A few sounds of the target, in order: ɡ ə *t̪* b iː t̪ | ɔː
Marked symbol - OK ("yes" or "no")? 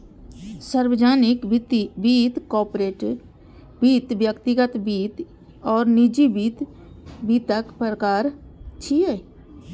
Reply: yes